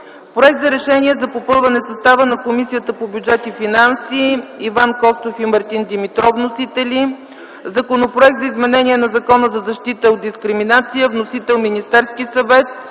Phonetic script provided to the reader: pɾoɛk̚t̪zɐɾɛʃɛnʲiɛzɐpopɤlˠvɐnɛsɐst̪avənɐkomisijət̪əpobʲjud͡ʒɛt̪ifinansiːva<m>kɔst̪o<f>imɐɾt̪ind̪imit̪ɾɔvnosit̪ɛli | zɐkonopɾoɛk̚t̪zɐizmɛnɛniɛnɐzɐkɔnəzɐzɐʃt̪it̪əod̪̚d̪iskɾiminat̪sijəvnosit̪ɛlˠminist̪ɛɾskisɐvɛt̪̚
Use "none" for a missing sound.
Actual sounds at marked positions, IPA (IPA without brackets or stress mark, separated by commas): n, f